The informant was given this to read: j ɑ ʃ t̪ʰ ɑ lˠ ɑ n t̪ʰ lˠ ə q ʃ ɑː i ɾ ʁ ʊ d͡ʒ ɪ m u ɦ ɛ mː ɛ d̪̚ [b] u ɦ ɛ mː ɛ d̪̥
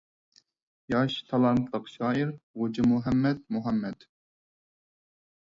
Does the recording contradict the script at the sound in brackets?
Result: yes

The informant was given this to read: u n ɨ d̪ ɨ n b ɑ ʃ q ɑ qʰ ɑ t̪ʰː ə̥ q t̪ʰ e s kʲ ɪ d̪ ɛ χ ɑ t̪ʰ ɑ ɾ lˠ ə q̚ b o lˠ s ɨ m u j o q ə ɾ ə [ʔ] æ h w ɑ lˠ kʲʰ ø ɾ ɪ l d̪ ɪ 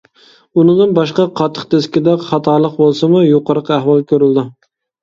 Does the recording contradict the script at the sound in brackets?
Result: yes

